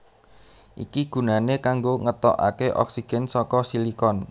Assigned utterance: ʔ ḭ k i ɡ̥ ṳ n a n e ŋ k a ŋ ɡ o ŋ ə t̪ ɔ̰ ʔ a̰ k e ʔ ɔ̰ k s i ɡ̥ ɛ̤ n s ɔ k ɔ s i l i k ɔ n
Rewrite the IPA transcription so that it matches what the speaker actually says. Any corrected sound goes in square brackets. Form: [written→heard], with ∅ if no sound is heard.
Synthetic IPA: ʔ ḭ k i ɡ̥ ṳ n a n e [ŋ→∅] k a ŋ ɡ o ŋ ə t̪ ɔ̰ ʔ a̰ k e ʔ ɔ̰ k s i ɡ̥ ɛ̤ n s ɔ k ɔ s i l i k ɔ n